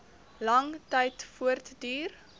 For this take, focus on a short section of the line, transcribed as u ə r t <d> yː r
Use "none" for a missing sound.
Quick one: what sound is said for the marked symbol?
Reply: d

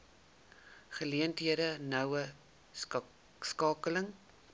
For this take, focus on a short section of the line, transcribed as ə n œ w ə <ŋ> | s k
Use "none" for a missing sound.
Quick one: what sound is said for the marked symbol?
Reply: none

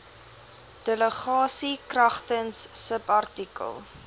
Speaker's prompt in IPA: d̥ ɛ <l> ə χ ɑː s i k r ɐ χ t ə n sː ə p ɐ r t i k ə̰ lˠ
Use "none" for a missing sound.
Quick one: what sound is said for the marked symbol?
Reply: l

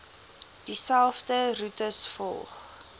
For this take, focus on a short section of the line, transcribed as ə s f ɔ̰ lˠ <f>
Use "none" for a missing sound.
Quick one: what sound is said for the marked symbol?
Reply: χ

